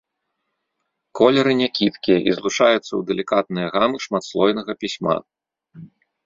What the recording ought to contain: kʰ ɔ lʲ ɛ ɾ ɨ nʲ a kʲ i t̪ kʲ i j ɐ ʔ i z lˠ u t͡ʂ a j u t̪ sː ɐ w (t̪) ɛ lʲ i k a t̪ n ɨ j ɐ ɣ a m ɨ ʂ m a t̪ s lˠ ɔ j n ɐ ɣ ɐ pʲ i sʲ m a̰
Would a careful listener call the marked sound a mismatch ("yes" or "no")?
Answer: yes